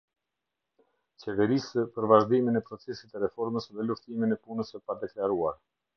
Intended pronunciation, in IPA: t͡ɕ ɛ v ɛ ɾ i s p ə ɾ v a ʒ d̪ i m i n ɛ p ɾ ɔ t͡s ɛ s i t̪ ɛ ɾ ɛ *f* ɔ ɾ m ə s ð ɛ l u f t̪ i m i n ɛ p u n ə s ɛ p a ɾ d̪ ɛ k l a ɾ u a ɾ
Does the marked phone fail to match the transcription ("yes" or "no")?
no